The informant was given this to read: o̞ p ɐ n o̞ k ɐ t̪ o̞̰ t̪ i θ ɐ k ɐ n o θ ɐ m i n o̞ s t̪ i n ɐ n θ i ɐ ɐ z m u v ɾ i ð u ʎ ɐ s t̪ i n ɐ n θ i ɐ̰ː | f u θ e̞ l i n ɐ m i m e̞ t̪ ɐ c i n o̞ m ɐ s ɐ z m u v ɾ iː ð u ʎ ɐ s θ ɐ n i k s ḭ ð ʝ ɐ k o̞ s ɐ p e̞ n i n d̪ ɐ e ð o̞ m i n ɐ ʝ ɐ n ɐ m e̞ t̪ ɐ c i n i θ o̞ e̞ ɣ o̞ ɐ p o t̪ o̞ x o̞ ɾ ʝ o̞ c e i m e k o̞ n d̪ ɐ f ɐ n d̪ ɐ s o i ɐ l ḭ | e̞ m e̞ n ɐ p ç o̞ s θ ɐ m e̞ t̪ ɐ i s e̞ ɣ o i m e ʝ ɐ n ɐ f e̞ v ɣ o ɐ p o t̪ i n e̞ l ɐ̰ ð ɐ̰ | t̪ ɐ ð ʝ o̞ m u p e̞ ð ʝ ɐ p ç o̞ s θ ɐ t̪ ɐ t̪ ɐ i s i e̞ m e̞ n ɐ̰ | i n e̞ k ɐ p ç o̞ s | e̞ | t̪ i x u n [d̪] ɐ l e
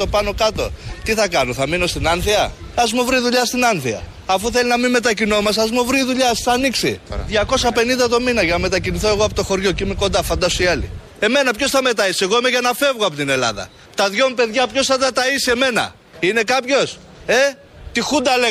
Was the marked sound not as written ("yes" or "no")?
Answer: no